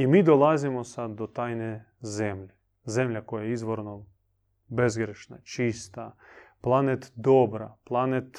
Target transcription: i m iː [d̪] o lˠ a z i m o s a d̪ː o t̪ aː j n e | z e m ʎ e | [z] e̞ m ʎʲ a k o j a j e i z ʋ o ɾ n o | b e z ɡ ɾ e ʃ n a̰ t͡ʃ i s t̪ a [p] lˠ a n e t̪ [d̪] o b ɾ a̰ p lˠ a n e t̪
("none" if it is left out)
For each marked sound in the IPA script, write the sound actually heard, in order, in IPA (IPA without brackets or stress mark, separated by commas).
d̪, z, p, d̪